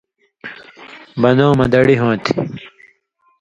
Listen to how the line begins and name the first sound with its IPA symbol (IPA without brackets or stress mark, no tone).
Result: b